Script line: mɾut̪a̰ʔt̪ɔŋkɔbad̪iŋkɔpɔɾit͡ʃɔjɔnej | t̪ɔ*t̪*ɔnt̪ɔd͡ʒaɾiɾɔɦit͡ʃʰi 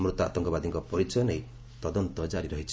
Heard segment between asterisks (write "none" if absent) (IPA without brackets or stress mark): d̪